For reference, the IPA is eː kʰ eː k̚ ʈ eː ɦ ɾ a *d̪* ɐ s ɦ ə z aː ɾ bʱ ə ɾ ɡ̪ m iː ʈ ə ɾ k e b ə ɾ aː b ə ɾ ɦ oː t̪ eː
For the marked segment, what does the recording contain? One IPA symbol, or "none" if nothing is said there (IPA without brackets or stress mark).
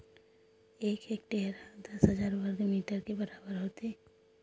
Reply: d̪